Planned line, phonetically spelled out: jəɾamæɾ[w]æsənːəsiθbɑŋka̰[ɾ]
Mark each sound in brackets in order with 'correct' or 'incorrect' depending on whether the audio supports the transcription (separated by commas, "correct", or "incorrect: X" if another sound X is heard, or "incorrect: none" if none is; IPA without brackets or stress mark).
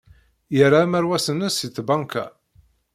correct, incorrect: none